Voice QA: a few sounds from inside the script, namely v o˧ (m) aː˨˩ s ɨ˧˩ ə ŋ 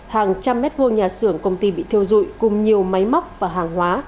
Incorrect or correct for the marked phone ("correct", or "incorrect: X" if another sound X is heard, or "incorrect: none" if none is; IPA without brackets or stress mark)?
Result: incorrect: ɲ